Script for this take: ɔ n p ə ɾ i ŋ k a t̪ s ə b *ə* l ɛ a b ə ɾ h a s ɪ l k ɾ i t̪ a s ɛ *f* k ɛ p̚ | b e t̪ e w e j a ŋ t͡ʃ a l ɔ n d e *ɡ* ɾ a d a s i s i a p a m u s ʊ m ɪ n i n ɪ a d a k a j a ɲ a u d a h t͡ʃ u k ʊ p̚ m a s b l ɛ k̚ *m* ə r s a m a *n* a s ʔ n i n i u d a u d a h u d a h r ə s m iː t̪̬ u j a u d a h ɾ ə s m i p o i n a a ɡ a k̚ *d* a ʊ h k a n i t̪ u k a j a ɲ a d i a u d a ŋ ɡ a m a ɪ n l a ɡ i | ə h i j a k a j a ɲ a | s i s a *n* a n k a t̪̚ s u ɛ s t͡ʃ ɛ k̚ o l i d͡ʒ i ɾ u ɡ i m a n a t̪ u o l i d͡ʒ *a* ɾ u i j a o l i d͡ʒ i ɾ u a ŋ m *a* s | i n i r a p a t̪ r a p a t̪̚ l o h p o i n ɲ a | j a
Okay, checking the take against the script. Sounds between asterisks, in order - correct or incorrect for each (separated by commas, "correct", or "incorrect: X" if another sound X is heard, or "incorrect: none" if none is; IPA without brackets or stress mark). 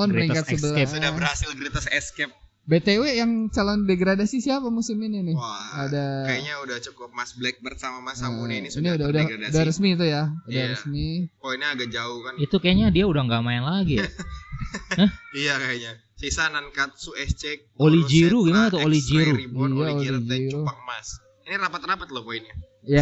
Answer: correct, incorrect: s, correct, incorrect: b, incorrect: m, incorrect: d͡ʒ, correct, incorrect: i, correct